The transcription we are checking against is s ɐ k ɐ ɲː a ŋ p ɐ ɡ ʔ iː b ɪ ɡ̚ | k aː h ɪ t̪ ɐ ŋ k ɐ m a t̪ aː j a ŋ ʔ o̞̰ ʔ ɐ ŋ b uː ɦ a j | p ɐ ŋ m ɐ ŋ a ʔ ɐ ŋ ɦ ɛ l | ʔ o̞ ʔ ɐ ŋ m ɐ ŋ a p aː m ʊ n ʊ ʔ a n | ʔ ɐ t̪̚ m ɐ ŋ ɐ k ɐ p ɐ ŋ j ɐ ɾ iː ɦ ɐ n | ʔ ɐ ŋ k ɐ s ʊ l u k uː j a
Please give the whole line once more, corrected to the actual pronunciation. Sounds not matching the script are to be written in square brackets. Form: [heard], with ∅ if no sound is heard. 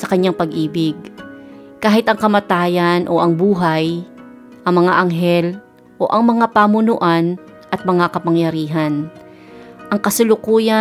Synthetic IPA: s ɐ k ɐ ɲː a ŋ p ɐ ɡ ʔ iː b ɪ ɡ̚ | k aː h ɪ t̪ ɐ ŋ k ɐ m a t̪ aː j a [n] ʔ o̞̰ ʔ ɐ ŋ b uː ɦ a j | [ʔ] ɐ ŋ m ɐ ŋ a ʔ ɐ ŋ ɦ ɛ l | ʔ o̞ ʔ ɐ ŋ m ɐ ŋ a p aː m ʊ n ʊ ʔ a n | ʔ ɐ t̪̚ m ɐ ŋ [a] k ɐ p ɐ ŋ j ɐ ɾ iː ɦ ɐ n | ʔ ɐ ŋ k ɐ s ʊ l [ʊ] k uː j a